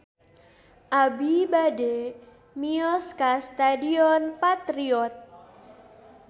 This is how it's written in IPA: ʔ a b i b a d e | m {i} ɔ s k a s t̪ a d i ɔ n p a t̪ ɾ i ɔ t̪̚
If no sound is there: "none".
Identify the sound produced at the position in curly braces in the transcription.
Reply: i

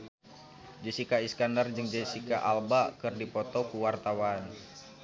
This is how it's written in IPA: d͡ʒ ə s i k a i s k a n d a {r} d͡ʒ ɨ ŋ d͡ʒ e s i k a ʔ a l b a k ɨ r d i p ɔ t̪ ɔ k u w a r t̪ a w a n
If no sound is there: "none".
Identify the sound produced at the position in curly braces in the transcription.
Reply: r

